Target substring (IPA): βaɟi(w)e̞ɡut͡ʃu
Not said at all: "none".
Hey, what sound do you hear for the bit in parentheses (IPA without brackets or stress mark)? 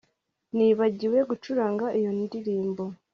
w